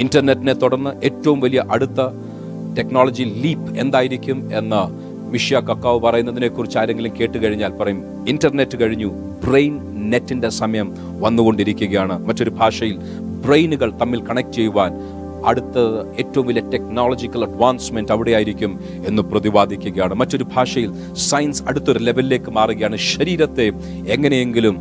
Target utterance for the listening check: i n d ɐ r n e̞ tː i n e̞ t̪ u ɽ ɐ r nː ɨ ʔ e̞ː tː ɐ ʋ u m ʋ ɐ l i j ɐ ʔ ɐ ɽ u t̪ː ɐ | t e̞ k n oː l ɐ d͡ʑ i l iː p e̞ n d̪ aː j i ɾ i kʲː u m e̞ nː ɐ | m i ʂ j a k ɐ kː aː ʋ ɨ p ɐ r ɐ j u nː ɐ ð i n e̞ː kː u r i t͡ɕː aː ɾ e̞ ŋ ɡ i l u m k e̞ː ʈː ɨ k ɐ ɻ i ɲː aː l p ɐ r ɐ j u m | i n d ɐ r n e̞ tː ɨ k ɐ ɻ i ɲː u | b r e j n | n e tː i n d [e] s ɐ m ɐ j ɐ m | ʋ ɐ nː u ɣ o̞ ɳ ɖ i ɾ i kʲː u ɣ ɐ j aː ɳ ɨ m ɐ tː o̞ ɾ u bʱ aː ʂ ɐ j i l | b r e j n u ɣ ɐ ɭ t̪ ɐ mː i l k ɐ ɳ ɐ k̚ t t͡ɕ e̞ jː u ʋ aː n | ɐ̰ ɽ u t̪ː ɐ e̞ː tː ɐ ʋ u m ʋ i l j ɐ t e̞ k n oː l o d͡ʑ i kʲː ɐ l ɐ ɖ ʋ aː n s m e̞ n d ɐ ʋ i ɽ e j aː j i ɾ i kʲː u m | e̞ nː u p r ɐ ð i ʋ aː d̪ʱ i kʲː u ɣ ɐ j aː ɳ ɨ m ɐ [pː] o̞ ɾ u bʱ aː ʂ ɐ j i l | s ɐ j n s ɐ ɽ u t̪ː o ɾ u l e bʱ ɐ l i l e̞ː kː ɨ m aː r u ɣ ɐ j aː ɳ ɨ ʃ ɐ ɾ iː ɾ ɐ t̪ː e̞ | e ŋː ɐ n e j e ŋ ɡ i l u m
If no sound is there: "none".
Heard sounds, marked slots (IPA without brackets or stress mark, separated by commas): e, tː